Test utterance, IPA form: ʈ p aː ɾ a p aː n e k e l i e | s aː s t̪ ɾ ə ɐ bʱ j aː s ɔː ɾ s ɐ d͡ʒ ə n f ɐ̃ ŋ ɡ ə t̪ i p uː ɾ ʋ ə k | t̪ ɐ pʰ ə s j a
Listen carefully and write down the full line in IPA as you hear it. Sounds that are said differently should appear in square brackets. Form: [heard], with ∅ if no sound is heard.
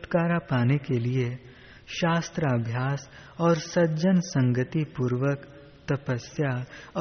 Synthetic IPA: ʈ [k] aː ɾ a p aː n e k e l i e | [ʃ] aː s t̪ ɾ ə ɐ bʱ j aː s ɔː ɾ s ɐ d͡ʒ ə n [s] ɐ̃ ŋ ɡ ə t̪ i p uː ɾ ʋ ə k | t̪ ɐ [p] ə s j a